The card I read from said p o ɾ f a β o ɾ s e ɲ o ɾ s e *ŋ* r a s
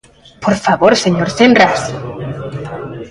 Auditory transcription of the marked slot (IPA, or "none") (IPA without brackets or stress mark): n